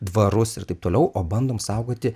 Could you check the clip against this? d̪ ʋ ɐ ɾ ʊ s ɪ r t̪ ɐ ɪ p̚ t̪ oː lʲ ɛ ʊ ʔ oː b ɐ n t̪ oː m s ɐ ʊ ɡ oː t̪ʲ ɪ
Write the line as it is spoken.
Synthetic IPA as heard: d̪ ʋ ɐ ɾ ʊ s ɪ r t̪ ɐ ɪ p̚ t̪ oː lʲ ɛ ʊ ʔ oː b ɐ n d̪ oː m s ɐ ʊ ɡ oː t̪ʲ ɪ